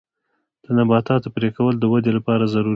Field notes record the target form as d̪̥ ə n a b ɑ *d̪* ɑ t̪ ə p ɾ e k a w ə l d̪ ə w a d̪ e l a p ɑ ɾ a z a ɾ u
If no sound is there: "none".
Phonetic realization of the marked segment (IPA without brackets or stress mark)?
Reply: t̪